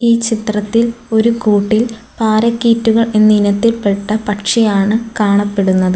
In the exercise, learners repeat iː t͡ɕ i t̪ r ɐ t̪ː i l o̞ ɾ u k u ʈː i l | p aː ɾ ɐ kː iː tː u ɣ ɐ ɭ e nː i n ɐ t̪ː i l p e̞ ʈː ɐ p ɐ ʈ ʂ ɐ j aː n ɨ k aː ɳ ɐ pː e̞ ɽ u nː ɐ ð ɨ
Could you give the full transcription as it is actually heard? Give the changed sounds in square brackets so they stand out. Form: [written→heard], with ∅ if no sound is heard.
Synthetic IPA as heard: iː t͡ɕ i t̪ r ɐ t̪ː i l o̞ ɾ u k [u→uː] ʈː i l | p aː ɾ ɐ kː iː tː u ɣ ɐ ɭ e nː i n ɐ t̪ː i l p e̞ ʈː ɐ p ɐ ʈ ʂ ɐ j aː [n→ɳ] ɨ k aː ɳ ɐ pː e̞ ɽ u nː ɐ ð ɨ